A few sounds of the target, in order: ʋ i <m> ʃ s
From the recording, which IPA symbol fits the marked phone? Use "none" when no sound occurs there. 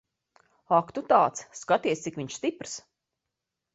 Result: ɲ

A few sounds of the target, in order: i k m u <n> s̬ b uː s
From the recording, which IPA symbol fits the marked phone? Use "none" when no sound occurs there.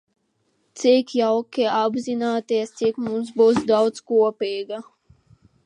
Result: m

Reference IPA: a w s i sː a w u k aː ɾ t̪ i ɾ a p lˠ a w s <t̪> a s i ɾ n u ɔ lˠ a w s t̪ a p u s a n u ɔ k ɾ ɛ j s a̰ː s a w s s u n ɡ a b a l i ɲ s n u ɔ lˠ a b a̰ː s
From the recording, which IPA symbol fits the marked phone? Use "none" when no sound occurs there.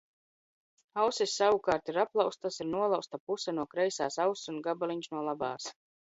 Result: t̪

